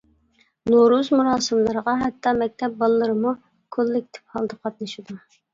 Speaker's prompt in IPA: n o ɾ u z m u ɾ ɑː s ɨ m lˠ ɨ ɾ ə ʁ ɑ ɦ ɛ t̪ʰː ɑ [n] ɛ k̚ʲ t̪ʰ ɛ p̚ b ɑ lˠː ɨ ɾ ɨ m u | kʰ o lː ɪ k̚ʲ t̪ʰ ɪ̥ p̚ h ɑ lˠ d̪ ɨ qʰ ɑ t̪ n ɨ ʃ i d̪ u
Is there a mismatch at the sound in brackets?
yes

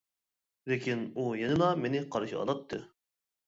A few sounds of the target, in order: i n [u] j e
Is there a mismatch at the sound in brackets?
no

